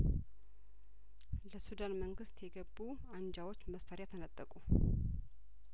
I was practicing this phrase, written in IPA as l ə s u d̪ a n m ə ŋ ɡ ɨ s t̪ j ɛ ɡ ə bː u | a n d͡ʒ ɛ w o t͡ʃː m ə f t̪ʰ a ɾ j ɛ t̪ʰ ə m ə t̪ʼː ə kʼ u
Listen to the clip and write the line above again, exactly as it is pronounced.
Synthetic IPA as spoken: l ə s u d̪ a n m ə ŋ ɡ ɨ s t̪ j ɛ ɡ ə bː u | a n d͡ʒ a w o t͡ʃː m ə s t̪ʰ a ɾ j a t̪ʰ ə n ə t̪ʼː ə kʼ u